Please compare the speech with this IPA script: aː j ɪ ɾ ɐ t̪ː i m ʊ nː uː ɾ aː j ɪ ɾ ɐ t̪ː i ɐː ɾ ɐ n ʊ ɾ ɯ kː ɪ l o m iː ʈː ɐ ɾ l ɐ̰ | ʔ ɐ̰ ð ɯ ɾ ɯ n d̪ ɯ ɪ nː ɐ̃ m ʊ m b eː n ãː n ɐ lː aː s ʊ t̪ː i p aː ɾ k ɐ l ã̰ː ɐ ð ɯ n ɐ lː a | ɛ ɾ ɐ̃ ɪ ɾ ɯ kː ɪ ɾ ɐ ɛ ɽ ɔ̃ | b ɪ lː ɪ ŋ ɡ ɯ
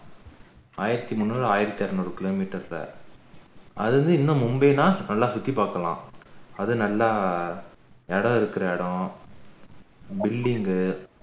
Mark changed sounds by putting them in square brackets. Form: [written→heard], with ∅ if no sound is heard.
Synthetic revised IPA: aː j ɪ ɾ ɐ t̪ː i m ʊ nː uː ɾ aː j ɪ ɾ ɐ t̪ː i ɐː ɾ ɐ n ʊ ɾ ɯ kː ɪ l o m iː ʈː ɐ ɾ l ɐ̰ | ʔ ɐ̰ ð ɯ ɾ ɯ n d̪ ɯ ɪ nː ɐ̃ m ʊ m b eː n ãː n ɐ lː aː s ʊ t̪ː i p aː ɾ k ɐ l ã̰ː ɐ ð ɯ n ɐ lː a | ɛ [ɾ→ɽ] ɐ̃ ɪ ɾ ɯ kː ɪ ɾ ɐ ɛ ɽ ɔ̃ | b ɪ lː ɪ ŋ ɡ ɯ